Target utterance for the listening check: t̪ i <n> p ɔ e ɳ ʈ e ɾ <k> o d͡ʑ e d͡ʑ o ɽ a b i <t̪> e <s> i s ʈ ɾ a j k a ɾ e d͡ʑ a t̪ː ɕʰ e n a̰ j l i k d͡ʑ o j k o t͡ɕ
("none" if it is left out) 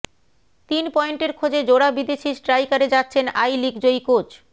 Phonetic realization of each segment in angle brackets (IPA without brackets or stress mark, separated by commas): n, kʰ, d̪, ʃ